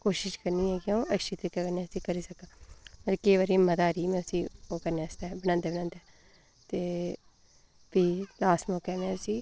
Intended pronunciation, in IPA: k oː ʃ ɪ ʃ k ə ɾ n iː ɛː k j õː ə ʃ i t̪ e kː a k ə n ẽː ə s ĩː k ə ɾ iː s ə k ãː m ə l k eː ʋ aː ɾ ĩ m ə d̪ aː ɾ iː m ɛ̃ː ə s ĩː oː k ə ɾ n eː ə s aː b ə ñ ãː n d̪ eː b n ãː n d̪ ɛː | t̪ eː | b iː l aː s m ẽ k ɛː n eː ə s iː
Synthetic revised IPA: k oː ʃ ɪ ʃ k ə ɾ n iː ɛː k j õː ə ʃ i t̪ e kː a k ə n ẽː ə s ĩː k ə ɾ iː s ə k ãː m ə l k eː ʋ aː ɾ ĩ m ə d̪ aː ɾ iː m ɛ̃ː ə s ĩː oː k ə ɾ n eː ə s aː b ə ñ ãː n d̪ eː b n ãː n d̪ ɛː | t̪ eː | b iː l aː s m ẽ k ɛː n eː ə s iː

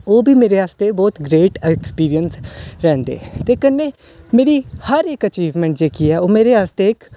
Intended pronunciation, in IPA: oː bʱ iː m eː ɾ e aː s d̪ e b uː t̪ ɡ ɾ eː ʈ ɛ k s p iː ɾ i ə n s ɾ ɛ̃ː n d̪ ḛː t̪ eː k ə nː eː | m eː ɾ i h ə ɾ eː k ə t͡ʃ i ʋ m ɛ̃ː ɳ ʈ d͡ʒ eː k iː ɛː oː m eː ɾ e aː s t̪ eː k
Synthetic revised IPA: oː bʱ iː m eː ɾ e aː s t̪ e b ɔː t̪ ɡ ɾ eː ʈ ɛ k s p iː ɾ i ə n s ɾ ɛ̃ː n d̪ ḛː t̪ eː k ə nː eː | m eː ɾ i h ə ɾ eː k ə t͡ʃ iː ʋ m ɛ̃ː ɳ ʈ d͡ʒ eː k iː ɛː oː m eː ɾ e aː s t̪ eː k

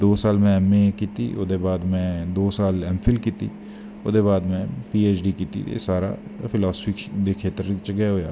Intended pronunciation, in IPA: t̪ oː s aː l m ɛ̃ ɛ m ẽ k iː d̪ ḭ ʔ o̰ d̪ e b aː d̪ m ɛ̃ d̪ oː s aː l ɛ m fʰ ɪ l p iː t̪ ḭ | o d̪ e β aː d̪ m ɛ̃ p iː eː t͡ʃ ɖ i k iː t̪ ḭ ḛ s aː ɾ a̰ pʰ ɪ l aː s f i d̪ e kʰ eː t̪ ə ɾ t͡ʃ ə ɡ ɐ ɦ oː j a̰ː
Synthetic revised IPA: d̪ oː s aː l m ɛ̃ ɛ m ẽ k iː t̪ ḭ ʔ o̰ d̪ e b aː d̪ m ɛ̃ d̪ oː s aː l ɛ m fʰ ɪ l k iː t̪ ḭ | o d̪ e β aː d̪ m ɛ̃ p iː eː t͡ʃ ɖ i k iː t̪ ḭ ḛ s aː ɾ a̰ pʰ ɪ l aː s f i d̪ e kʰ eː t̪ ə ɾ t͡ʃ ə ɡ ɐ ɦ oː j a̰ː

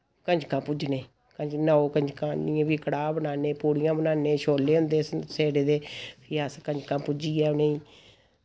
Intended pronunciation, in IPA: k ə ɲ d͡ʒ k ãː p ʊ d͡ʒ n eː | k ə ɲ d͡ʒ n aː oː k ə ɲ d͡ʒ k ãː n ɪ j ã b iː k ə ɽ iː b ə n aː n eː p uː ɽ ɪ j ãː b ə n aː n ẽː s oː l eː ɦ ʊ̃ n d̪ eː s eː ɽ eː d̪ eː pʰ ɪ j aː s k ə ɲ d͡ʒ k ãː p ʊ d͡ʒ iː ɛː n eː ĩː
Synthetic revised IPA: k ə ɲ d͡ʒ k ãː p ʊ d͡ʒ n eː | k ə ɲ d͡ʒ n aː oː k ə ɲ d͡ʒ k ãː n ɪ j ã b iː k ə ɽ aː b ə n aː n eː p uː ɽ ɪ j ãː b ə n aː n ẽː ʃ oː l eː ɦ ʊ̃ n d̪ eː s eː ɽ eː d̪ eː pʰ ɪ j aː s k ə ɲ d͡ʒ k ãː p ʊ d͡ʒ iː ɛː n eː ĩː

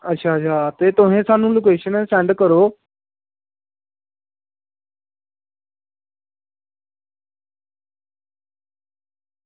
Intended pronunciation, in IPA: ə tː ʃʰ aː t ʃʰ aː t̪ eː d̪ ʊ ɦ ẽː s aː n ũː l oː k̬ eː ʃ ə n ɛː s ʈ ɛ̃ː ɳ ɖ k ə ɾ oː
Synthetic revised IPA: ə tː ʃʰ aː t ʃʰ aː t̪ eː t̪ ʊ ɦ ẽː s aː n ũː l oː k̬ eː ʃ ə n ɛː s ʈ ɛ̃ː ɳ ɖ k ə ɾ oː

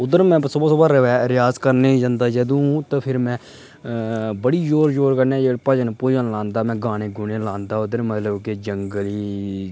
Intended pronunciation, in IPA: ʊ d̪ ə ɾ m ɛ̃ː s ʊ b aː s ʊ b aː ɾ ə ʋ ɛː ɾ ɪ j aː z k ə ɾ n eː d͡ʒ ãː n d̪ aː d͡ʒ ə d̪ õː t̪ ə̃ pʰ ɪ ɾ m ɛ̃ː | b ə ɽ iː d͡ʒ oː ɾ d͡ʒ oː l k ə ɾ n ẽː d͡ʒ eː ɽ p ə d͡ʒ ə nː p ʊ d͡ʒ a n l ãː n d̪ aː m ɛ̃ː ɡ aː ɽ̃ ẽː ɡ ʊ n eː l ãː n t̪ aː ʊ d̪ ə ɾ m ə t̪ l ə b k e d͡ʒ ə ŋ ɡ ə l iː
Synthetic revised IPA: ʊ d̪ ə ɾ m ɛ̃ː s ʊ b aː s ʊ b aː ɾ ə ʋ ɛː ɾ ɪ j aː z k ə ɾ n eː d͡ʒ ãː n d̪ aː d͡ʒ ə d̪ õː t̪ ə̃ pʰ ɪ ɾ m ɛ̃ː | b ə ɽ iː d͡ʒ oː ɾ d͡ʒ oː ɾ k ə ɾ n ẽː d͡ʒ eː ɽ p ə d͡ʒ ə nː p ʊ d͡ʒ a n l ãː n d̪ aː m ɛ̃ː ɡ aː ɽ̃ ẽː ɡ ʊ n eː l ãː n d̪ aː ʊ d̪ ə ɾ m ə t̪ l ə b k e d͡ʒ ə ŋ ɡ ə l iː

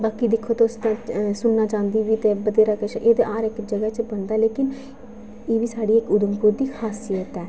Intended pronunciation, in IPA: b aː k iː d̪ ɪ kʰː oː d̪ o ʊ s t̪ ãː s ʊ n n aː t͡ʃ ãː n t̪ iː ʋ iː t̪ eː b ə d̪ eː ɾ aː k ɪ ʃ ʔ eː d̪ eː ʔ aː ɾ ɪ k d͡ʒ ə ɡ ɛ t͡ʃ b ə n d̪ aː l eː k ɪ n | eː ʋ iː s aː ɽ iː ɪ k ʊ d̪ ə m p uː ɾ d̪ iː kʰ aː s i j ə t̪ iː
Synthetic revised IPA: b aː k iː d̪ ɪ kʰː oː t̪ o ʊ s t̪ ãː s ʊ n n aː t͡ʃ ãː n d̪ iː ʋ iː t̪ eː b ə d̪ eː ɾ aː k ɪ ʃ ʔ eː d̪ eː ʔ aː ɾ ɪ k d͡ʒ ə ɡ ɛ t͡ʃ b ə n d̪ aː l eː k ɪ n | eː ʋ iː s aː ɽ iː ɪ k ʊ d̪ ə m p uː ɾ d̪ iː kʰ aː s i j ə t̪ ɛː

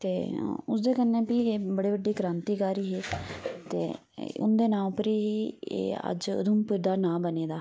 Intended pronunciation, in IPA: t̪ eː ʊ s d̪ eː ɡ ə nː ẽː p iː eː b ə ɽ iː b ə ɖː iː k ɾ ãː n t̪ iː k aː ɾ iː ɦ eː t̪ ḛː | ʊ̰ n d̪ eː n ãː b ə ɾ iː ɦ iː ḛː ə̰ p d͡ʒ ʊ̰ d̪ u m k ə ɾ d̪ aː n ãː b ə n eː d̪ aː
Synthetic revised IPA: t̪ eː ʊ s d̪ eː k ə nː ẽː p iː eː b ə ɽ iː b ə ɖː iː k ɾ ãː n t̪ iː k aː ɾ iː ɦ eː t̪ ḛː | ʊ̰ n d̪ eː n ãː p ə ɾ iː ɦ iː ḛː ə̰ d͡ʒ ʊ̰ d̪ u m p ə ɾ d̪ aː n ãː b ə n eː d̪ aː

